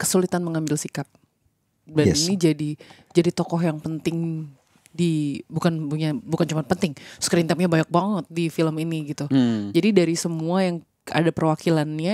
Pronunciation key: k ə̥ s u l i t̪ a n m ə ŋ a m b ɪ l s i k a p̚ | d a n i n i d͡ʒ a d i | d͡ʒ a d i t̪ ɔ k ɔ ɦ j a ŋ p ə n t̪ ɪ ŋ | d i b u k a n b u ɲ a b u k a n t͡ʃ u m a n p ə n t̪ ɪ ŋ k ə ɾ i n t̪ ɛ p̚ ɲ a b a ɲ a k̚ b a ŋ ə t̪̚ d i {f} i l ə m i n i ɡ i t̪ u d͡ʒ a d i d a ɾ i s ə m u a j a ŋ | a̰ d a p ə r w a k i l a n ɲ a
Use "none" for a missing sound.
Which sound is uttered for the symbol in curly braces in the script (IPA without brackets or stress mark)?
f